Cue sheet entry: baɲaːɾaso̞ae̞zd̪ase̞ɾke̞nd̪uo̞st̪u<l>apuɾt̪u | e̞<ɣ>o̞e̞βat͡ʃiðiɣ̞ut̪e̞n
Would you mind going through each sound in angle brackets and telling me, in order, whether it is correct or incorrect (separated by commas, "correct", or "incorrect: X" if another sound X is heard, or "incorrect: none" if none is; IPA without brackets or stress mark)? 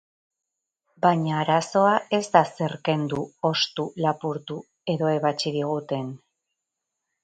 correct, incorrect: ð